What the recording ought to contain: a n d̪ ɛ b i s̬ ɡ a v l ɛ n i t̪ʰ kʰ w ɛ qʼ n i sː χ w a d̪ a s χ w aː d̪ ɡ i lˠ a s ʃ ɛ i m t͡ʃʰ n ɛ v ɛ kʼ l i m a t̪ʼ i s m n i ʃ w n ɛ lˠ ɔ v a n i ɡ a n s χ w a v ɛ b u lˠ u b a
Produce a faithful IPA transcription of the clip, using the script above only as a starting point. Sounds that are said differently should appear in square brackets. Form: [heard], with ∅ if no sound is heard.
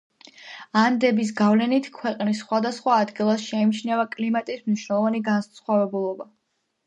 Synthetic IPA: a n d̪ ɛ b i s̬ ɡ a v l ɛ n i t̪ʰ kʰ w ɛ qʼ n i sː χ w a d̪ a s χ w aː d̪ ɡ i lˠ a s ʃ ɛ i m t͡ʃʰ n ɛ v [a] kʼ l i m a t̪ʼ i s m n i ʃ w n ɛ lˠ ɔ v a n i ɡ a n s χ w a v ɛ b u lˠ [ɔ] b a